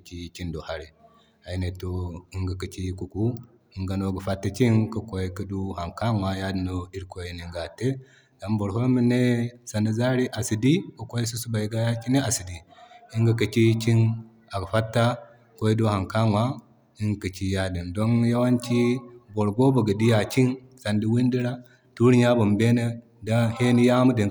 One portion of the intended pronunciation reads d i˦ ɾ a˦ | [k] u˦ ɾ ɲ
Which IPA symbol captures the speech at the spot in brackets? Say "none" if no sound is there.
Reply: t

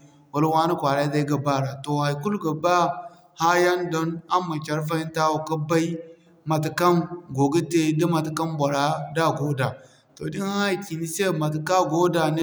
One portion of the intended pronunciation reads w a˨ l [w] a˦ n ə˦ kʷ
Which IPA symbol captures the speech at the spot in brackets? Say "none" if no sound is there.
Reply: w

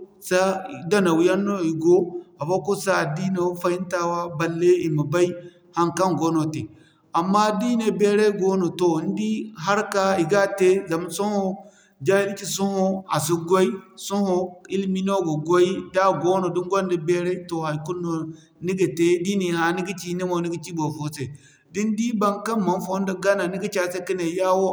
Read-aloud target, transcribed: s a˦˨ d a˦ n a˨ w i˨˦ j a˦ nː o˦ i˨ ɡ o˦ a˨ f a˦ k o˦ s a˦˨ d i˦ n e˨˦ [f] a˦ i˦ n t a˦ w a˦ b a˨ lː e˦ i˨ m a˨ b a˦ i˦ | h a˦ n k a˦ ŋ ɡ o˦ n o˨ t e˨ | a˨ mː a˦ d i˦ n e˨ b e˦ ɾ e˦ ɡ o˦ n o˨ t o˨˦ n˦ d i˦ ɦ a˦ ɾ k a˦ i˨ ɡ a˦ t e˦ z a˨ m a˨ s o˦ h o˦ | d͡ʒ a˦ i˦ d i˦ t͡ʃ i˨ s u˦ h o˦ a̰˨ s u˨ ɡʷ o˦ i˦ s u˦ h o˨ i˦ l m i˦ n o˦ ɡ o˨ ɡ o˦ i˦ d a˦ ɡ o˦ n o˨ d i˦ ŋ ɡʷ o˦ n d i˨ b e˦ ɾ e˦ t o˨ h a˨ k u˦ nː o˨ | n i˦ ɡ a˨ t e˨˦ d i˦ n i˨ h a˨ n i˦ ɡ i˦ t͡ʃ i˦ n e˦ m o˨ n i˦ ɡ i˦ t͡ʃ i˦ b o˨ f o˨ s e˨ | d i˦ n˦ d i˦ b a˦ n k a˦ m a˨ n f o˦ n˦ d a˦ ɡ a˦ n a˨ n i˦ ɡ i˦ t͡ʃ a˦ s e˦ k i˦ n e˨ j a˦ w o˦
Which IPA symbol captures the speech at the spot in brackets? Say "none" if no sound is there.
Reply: f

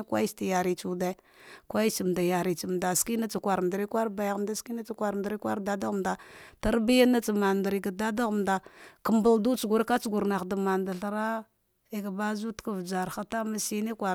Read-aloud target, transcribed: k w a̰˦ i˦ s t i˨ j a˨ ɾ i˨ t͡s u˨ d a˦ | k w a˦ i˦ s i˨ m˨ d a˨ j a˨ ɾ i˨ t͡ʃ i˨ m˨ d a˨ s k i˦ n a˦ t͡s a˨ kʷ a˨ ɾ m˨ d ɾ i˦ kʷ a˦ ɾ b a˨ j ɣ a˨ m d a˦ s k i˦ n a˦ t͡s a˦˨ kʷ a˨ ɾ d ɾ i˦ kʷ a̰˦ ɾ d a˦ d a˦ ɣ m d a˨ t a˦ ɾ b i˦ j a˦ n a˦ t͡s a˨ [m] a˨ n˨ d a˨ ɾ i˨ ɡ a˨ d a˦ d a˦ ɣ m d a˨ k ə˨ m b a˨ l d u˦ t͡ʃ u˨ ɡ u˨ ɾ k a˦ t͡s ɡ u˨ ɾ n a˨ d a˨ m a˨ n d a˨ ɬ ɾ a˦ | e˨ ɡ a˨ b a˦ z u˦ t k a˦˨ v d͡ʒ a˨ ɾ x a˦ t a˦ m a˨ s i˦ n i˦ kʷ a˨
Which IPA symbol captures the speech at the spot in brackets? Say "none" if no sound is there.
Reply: m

